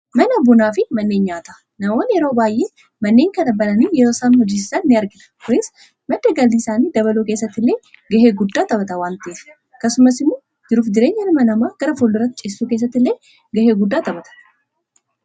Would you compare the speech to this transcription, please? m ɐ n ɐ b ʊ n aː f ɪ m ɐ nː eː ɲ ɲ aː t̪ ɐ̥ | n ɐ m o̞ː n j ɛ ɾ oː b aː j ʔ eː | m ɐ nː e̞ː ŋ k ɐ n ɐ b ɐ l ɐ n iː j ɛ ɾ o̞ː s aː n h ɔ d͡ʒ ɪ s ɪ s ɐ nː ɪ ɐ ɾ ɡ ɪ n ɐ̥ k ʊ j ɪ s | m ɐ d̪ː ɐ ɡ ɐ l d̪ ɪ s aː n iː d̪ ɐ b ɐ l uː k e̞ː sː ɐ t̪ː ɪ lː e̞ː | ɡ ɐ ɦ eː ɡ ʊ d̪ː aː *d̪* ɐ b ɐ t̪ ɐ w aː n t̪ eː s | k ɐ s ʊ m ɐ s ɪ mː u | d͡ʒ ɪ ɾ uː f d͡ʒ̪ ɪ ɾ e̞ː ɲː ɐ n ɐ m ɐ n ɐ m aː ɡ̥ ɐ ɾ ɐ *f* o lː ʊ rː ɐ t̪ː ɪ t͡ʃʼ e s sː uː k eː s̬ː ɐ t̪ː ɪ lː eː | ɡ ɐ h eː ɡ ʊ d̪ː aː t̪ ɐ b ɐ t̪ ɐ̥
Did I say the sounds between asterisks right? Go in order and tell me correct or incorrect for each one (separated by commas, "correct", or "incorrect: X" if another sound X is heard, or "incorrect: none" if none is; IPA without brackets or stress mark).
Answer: incorrect: t̪, correct